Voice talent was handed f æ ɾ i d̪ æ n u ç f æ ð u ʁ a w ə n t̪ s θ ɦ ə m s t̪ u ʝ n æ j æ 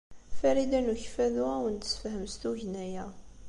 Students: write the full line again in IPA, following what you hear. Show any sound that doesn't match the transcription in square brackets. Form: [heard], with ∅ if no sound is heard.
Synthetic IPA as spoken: f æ ɾ i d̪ æ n u ç f æ ð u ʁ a w ə n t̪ s [f] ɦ ə m s t̪ u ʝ n æ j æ